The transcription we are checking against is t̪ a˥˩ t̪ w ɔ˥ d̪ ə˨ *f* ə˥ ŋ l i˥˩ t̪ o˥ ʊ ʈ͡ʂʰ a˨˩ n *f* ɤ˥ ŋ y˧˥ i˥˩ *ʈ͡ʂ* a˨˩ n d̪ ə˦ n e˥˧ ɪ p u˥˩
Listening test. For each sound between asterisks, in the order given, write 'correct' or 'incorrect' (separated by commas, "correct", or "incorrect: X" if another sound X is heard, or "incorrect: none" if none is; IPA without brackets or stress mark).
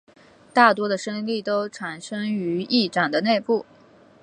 incorrect: ʂ, incorrect: ʂ, correct